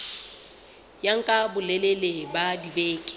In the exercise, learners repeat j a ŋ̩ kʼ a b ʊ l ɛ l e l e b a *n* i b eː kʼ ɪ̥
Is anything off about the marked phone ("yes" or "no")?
yes